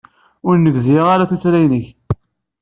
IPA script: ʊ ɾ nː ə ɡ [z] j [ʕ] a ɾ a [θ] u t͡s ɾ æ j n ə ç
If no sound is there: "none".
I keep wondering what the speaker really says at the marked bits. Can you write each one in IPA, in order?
z, ʁ, θ

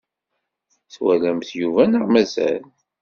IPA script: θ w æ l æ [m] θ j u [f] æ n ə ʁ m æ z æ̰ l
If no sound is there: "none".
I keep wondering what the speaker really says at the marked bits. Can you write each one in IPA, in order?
m, v

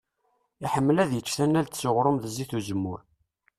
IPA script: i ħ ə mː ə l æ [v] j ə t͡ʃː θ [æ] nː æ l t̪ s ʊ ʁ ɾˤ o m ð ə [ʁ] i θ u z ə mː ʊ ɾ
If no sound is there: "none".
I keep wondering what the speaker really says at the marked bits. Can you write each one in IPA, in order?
ð, æ, z

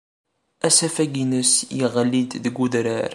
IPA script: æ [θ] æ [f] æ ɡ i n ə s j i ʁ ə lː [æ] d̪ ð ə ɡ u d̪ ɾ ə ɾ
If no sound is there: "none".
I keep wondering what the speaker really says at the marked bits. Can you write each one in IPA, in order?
s, f, i

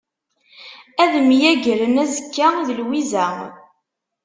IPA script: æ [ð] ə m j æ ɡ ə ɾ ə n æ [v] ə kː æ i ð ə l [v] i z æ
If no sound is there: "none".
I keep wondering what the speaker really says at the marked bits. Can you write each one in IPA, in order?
ð, z, w

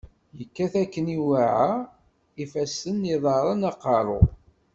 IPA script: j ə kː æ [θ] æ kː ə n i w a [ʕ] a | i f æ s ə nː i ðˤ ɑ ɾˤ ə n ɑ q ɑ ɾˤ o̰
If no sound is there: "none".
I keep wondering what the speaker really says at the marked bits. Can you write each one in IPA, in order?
θ, ʕ

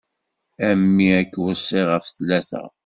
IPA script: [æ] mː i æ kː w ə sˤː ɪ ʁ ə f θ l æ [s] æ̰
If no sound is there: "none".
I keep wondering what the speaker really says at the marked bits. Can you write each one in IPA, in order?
æ, θ

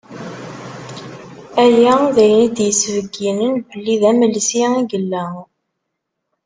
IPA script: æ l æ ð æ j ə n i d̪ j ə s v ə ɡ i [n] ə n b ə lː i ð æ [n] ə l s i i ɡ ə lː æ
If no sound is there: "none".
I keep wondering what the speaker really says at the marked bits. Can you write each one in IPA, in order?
n, m

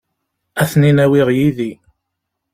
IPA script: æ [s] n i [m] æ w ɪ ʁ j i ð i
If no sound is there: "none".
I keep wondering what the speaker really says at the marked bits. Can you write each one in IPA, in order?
θ, n

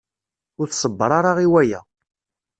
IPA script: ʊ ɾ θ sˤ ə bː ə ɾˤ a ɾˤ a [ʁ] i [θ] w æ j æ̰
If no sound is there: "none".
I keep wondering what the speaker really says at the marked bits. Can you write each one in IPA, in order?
ʁ, none

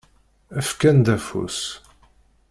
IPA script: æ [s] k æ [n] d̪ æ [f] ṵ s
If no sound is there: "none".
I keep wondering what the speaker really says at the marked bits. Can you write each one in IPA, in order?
f, n, f

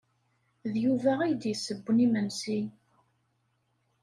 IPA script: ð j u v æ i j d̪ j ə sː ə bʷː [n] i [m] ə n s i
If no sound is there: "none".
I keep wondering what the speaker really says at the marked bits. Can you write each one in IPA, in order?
n, m

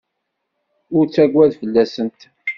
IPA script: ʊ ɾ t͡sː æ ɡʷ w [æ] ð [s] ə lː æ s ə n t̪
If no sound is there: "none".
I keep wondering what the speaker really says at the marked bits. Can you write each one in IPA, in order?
æ, f

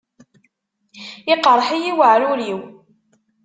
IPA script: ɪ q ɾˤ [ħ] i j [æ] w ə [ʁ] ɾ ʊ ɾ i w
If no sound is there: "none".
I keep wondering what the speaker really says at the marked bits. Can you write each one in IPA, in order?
ħ, i, ʕ

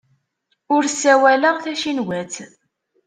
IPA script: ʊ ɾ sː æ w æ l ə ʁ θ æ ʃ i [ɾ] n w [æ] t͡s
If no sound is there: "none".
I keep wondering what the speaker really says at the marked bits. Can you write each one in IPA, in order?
none, æ

